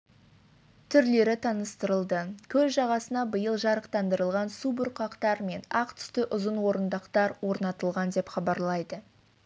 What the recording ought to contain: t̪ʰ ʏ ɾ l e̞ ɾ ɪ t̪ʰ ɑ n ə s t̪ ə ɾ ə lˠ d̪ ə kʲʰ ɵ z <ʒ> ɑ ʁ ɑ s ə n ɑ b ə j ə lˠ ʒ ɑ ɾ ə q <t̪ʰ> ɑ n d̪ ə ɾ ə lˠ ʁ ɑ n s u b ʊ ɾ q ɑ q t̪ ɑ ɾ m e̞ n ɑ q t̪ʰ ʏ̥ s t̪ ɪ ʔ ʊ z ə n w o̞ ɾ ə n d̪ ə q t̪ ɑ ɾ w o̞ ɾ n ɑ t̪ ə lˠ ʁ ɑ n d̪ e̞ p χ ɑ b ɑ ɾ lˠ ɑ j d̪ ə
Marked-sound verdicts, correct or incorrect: correct, incorrect

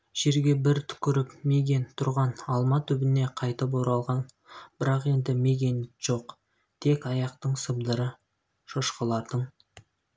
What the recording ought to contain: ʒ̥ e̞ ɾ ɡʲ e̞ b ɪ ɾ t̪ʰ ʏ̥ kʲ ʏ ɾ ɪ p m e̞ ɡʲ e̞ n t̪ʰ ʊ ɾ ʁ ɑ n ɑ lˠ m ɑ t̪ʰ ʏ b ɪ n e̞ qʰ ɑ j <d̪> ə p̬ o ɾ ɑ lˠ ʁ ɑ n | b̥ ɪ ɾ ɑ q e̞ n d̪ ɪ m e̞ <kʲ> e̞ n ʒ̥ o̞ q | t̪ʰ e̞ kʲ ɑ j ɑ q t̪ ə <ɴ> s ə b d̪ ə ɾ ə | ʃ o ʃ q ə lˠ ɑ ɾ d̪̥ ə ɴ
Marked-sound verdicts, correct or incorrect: incorrect, incorrect, correct

